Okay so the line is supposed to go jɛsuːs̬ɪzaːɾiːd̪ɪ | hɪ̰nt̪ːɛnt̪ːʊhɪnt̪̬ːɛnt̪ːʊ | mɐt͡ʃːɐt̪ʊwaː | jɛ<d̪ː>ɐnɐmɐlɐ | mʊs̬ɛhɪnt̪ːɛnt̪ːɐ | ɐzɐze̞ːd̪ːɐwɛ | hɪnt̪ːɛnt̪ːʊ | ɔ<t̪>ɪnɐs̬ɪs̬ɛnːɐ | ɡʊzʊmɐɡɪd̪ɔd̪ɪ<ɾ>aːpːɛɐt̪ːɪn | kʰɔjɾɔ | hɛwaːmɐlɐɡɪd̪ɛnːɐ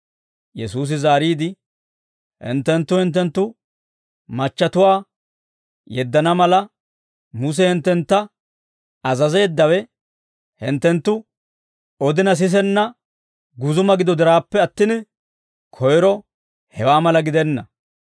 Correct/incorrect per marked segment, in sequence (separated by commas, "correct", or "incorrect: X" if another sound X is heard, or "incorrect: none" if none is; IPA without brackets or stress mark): correct, incorrect: d̪, correct